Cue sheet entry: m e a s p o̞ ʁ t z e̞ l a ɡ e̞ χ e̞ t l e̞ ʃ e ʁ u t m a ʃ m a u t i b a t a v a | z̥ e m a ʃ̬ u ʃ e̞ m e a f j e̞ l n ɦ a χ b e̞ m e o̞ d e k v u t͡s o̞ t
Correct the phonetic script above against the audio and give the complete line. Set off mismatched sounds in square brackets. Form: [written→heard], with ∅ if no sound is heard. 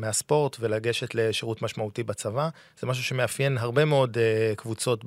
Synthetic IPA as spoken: m e a s p o̞ ʁ t [z→v] e̞ l a ɡ e̞ [χ→ʃ] e̞ t l e̞ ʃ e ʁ u t m a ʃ m a u t i b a [t→t͡s] a v a | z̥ e m a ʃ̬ u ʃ e̞ m e a f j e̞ [l→∅] n ɦ a [χ→ʁ] b e̞ m e o̞ d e k v u t͡s o̞ t